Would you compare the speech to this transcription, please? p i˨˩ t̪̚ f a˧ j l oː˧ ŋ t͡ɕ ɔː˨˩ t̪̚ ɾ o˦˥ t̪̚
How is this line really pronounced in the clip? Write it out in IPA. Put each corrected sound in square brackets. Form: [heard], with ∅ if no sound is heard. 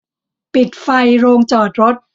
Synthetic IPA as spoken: p i˨˩ t̪̚ f a˧ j [ɾ] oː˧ ŋ t͡ɕ ɔː˨˩ t̪̚ ɾ o˦˥ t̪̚